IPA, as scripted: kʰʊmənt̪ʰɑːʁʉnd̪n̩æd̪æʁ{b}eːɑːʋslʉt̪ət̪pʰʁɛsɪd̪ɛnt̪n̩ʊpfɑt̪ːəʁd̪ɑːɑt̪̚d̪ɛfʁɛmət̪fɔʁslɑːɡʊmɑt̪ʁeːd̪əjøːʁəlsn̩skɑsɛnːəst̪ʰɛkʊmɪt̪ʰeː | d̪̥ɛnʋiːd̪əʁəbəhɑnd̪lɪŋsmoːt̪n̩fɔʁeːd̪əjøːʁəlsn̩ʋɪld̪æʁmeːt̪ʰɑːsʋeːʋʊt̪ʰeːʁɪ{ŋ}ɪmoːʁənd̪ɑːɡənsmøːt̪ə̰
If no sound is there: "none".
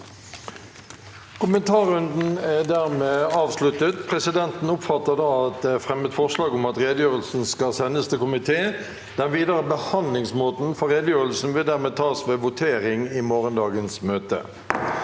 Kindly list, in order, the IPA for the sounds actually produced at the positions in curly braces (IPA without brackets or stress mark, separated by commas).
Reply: m, ŋ